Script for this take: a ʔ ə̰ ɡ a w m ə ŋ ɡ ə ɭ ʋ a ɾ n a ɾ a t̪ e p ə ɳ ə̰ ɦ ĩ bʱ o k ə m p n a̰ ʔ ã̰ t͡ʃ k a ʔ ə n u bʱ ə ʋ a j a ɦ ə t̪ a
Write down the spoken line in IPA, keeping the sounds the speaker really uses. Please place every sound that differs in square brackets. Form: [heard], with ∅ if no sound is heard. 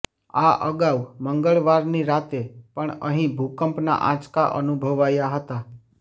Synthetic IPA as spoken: a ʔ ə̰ ɡ a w m ə ŋ ɡ ə ɭ ʋ a ɾ n [i] ɾ a t̪ e p ə ɳ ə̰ ɦ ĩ bʱ [u] k ə m p n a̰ ʔ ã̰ t͡ʃ k a ʔ ə n u bʱ ə ʋ a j a ɦ ə t̪ a